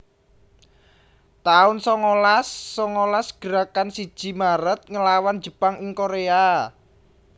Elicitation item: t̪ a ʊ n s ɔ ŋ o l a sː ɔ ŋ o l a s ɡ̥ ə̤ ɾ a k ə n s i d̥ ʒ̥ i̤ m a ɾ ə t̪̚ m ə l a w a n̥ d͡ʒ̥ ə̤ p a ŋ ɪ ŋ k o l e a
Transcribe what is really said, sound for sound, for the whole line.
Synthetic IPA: t̪ a ʊ n s ɔ ŋ o l a sː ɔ ŋ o l a s ɡ̥ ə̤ ɾ a k a n s i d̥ ʒ̥ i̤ m a ɾ ə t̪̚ ŋ ə l a w a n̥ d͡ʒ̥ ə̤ p a ŋ ɪ ŋ k o ɾ e a